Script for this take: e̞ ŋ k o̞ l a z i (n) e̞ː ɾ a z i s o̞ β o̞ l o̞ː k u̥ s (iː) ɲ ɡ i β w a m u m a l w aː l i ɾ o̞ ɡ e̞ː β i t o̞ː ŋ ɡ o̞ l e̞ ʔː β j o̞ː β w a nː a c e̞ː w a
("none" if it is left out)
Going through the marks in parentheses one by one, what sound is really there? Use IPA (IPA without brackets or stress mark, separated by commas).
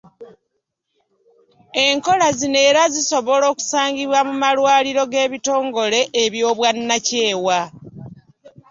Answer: n, aː